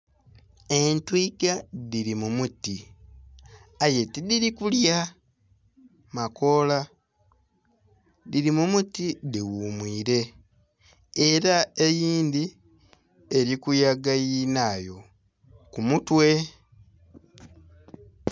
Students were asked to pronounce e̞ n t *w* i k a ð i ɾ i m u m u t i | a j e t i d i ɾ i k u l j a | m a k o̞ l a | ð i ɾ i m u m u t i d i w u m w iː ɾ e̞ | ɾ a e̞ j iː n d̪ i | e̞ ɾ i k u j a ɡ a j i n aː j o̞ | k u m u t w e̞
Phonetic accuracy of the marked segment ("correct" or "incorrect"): correct